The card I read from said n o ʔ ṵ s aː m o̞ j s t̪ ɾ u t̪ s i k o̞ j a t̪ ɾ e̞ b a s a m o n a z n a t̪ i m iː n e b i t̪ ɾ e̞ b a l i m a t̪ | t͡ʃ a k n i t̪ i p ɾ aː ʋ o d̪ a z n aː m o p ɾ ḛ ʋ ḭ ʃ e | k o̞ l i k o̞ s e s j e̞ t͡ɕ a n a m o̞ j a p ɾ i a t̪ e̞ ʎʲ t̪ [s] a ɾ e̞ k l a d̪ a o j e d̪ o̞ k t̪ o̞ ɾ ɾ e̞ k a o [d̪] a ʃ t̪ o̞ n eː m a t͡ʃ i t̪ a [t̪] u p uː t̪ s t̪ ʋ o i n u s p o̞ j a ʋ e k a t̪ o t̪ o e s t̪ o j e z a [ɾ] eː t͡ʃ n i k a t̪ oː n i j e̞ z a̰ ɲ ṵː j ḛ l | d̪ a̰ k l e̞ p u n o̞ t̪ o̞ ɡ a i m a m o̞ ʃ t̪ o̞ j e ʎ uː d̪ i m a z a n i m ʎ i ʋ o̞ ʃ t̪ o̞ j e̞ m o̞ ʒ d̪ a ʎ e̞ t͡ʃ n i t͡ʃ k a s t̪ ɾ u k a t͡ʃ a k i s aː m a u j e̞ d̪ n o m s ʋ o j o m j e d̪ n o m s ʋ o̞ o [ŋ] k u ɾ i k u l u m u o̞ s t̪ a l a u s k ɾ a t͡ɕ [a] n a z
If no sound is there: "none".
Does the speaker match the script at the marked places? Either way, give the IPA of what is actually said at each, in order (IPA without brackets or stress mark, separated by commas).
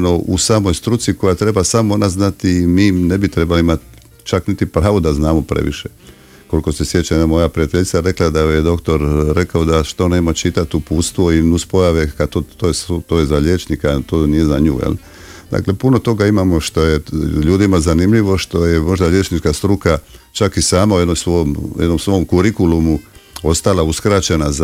s, d̪, t̪, ʎ, m, e